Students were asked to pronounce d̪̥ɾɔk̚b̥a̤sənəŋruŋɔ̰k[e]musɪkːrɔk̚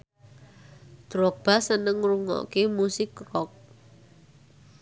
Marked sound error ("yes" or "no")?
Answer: no